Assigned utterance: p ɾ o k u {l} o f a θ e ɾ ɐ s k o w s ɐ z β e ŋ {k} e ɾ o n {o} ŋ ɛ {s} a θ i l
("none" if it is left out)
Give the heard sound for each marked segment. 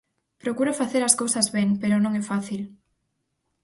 ɾ, p, õ, f

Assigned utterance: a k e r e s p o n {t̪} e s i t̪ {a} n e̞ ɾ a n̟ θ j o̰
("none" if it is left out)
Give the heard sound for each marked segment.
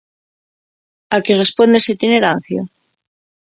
d̪, i

